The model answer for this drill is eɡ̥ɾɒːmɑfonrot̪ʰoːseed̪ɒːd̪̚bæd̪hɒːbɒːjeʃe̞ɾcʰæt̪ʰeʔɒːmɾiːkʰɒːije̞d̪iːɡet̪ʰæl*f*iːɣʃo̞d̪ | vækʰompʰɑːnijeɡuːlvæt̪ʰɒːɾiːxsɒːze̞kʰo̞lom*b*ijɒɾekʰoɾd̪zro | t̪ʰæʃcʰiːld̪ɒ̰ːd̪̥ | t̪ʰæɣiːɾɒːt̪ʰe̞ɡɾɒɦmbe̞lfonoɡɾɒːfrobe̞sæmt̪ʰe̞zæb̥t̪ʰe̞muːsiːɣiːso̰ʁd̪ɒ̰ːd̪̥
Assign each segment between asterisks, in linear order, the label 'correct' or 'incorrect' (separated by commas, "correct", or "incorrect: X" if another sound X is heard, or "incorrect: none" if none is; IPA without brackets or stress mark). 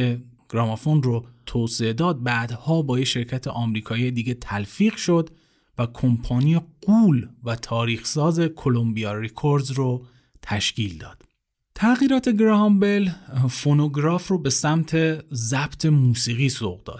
correct, correct